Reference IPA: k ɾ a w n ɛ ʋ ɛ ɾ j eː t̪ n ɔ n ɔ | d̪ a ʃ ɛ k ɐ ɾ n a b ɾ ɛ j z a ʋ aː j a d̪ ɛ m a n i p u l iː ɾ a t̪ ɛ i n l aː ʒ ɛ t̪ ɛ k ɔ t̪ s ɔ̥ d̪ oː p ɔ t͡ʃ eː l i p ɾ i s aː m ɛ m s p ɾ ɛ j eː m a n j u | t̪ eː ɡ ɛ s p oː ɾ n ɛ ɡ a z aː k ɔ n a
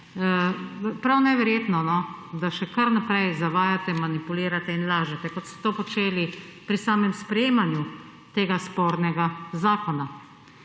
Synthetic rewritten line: p ɾ a w n ɛ ʋ ɛ ɾ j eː t̪ n ɔ n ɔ | d̪ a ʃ ɛ k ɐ ɾ n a p ɾ ɛ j z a ʋ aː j a t̪ ɛ m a n i p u l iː ɾ a t̪ ɛ i n l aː ʒ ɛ t̪ ɛ k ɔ t̪ s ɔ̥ t̪ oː p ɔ t͡ʃ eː l i p ɾ i s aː m ɛ m s p ɾ ɛ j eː m a n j u | t̪ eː ɡ a s p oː ɾ n ɛ ɡ a z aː k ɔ n a